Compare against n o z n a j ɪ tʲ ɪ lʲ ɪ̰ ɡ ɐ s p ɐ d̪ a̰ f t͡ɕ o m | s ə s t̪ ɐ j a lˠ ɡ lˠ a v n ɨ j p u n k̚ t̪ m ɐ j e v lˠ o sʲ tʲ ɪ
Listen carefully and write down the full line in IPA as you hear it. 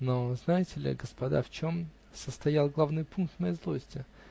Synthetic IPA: n o z n a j ɪ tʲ ɪ lʲ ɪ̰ ɡ ə s p ɐ d̪ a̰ f t͡ɕ o m | s ə s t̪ ɐ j a lˠ ɡ lˠ a v n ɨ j p u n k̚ t̪ m ɐ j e z lˠ o sʲ tʲ ɪ